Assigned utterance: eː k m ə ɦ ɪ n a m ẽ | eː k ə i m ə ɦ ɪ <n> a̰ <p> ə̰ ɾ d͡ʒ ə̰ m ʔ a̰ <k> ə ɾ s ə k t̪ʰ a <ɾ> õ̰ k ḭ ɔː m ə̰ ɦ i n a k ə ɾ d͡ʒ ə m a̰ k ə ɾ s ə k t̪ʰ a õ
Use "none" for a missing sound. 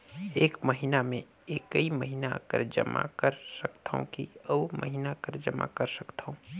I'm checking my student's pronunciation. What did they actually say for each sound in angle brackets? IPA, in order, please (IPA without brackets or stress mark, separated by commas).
n, k, k, none